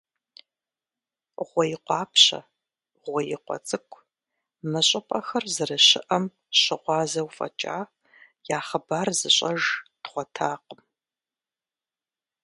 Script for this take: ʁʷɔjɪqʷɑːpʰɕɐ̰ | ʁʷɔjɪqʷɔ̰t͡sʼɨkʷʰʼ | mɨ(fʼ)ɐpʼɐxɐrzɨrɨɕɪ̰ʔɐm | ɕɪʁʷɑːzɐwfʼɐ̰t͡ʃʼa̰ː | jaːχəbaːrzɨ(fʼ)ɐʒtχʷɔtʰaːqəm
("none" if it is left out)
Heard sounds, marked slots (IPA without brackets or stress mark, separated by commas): ɕʼ, ɕʼ